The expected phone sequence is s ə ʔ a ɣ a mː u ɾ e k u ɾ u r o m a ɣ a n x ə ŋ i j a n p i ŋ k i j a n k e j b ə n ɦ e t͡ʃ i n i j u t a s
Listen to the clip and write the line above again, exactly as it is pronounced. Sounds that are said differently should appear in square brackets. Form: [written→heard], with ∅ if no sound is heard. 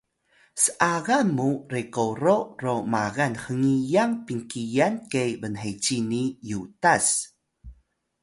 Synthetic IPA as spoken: s ə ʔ a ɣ a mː u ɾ e k [u→o] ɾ [u→o] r o m a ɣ a n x ə ŋ i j a [n→ŋ] p i ŋ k i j a n k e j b ə n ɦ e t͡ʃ i n i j u t a s